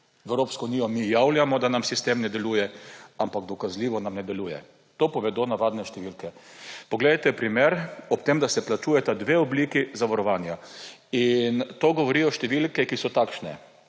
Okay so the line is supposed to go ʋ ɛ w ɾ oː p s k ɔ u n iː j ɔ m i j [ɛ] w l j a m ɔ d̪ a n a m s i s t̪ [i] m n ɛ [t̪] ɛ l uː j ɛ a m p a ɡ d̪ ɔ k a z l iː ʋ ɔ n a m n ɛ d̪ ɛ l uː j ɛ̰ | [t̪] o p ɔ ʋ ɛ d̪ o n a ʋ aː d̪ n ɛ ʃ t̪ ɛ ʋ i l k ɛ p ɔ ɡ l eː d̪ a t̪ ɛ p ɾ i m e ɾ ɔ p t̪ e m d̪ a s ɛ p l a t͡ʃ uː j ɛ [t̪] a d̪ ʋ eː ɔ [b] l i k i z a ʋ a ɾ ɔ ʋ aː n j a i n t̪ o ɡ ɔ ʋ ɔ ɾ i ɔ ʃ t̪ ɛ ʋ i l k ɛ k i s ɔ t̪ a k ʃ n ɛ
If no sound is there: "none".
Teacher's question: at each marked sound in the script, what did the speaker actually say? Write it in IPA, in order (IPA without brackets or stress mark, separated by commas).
a, e, d̪, t̪, t̪, b